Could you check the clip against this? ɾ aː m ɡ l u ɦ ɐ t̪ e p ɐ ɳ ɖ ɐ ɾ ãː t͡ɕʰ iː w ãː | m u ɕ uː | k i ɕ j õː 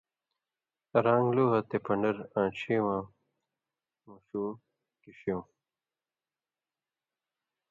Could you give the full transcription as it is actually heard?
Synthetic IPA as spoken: ɾ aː ŋ ɡ l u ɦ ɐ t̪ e p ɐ ɳ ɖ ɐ ɾ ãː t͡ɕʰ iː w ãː | m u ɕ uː | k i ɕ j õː

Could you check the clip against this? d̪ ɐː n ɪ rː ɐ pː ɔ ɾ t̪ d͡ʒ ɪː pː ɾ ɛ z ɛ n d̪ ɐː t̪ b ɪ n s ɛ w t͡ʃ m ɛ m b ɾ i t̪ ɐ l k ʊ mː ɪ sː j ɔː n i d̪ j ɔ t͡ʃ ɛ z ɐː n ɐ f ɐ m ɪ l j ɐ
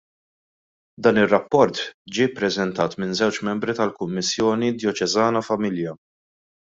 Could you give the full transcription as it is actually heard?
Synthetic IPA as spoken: d̪ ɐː n ɪ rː ɐ pː ɔ ɾ t̪ d͡ʒ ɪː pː ɾ ɛ z ɛ n t̪ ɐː t̪ m ɪ n z ɛ w t͡ʃ m ɛ m b ɾ i t̪ ɐ l k ʊ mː ɪ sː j ɔː n i d̪ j ɔ t͡ʃ ɛ z ɐː n ɐ f ɐ m ɪ l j ɐ

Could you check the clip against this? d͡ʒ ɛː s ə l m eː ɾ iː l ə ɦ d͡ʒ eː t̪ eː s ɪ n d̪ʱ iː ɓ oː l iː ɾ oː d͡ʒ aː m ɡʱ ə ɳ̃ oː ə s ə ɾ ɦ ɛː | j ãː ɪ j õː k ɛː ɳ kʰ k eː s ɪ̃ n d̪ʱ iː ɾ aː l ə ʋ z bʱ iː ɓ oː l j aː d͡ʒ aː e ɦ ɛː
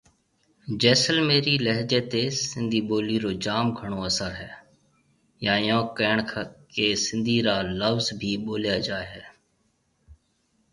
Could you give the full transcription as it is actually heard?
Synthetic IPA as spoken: d͡ʒ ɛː s ə l m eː ɾ iː l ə ɦ d͡ʒ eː t̪ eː s ɪ n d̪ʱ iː ɓ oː l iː ɾ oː d͡ʒ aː m ɡʱ ə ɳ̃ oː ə s ə ɾ ɦ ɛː | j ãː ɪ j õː k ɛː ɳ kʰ k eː s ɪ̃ n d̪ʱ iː ɾ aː l ə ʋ z bʱ iː ɓ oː l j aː d͡ʒ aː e ɦ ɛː

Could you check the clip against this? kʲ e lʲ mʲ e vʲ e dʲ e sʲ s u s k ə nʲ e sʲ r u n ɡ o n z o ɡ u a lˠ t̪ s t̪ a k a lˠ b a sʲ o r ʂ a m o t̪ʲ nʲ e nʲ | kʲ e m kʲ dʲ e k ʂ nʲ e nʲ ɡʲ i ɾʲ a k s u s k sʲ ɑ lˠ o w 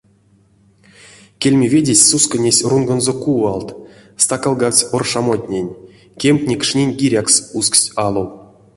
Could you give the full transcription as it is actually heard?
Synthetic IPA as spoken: kʲ e lʲ mʲ e vʲ e dʲ e sʲ s u s k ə nʲ e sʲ r u n ɡ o n z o k u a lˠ t̪ s t̪ a k a lˠ ɡ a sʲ o r ʂ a m o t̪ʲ nʲ e nʲ | kʲ e m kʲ nʲ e k ʂ nʲ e nʲ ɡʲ i ɾʲ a k s u s k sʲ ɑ lˠ o w

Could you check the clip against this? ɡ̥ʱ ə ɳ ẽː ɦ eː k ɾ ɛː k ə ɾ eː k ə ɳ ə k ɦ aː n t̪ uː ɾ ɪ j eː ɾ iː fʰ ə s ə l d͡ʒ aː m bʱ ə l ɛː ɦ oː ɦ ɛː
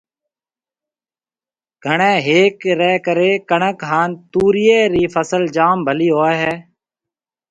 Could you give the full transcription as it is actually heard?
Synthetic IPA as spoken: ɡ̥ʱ ə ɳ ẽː ɦ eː k ɾ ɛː k ə ɾ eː k ə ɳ ə k ɦ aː n t̪ uː ɾ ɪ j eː ɾ iː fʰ ə s ə l d͡ʒ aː m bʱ ə l iː ɦ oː ɦ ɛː

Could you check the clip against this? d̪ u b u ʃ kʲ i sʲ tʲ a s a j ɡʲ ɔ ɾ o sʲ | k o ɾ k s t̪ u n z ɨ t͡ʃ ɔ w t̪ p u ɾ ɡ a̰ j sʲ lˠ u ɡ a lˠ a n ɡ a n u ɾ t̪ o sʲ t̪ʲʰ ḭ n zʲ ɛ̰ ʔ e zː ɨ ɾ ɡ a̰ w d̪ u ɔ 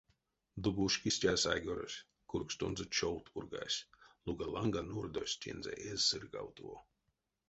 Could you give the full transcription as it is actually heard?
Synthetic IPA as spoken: d̪ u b u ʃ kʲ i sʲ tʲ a s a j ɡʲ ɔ ɾ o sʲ | k u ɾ k s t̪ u n z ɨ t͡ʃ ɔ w t̪ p u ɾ ɡ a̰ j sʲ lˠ u ɡ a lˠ a ŋ ɡ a n u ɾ d̪ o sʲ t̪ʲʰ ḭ n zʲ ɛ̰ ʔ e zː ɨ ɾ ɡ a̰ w t̪ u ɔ

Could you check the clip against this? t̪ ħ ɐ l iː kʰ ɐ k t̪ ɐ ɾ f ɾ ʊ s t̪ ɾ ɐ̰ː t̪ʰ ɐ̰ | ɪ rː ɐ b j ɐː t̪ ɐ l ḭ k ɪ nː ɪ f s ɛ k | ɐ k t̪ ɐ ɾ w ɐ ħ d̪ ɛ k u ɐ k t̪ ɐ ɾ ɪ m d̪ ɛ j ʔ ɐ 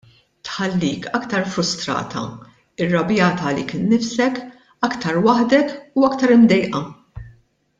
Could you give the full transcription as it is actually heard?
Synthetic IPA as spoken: t̪ ħ ɐ lː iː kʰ ɐ k t̪ ɐ ɾ f ɾ ʊ s t̪ ɾ ɐ̰ː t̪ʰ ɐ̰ | ɪ rː ɐ b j ɐː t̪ ɐ l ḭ k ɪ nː ɪ f s ɛ k | ɐ k t̪ ɐ ɾ w ɐ ħ d̪ ɛ k u ɐ k t̪ ɐ ɾ ɪ m d̪ ɛ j ʔ ɐ

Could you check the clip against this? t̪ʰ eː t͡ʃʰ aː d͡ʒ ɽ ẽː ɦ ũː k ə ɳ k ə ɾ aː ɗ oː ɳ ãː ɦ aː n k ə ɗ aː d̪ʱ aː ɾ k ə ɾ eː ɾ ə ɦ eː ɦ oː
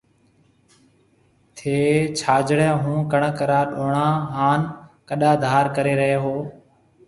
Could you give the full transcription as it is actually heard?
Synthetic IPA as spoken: t̪ʰ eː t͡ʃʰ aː d͡ʒ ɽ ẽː ɦ ũː k ə ɳ k ə ɾ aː ɗ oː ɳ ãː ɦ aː n k ə ɗ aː d̪ʱ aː ɾ k ə ɾ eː ɾ ə ɦ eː ɦ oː

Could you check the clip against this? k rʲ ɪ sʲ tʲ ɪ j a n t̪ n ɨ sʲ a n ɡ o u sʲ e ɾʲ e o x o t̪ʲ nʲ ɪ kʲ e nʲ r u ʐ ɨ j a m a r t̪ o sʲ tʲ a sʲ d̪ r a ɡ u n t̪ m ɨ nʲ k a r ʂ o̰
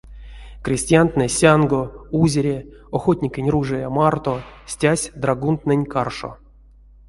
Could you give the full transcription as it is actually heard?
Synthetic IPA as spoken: k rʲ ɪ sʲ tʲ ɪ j a n t̪ n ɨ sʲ a n ɡ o u zʲ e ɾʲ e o x o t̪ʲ nʲ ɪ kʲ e nʲ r u ʐ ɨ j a m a r t̪ o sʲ tʲ a sʲ d̪ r a ɡ u n t̪ n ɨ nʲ k a r ʂ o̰

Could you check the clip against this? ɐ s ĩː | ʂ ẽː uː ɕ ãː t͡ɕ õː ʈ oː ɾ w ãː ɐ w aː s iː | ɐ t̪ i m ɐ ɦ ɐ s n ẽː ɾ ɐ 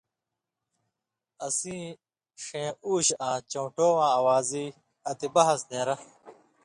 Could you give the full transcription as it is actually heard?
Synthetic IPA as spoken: ɐ s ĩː | ʂ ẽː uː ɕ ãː t͡ɕ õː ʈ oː w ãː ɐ w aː z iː | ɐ t̪ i b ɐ ɦ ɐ s n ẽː ɾ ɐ

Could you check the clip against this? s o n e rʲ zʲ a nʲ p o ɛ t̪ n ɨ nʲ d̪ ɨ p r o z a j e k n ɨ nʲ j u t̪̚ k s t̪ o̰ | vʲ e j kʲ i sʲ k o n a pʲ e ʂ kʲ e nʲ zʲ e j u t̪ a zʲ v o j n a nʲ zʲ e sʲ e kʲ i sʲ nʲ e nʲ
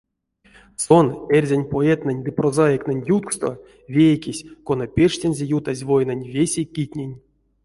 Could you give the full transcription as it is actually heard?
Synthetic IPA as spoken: s o n e rʲ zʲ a nʲ p o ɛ t̪ n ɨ nʲ d̪ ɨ p r o z a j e k n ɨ nʲ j u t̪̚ k s t̪ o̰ | vʲ e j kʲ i sʲ k o n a pʲ e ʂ tʲ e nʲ zʲ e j u t̪ a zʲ v o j n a nʲ vʲ e sʲ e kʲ i tʲ nʲ e nʲ

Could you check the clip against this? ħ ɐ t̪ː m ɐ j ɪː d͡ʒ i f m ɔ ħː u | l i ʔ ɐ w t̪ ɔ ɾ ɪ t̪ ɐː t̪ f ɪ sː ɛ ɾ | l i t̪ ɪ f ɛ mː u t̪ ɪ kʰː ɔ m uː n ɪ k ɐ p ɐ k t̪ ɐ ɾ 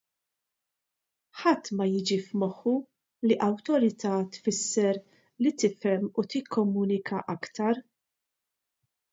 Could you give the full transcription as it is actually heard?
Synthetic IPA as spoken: ħ ɐ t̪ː m ɐ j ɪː d͡ʒ i f m ɔ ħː u | l i ʔ ɐ w t̪ ɔ ɾ ɪ t̪ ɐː t̪ f ɪ sː ɛ ɾ | l i t̪ ɪ f ɛ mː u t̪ ɪ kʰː ɔ m uː n ɪ k ɐ ʔ ɐ k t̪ ɐ ɾ

